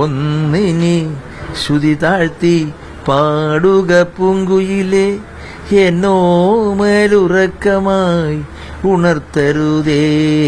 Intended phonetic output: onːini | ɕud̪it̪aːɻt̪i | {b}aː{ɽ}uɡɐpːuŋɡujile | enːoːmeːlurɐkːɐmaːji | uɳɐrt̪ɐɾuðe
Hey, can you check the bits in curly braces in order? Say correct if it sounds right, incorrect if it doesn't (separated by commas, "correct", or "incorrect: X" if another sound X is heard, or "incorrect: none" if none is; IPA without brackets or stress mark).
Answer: incorrect: p, correct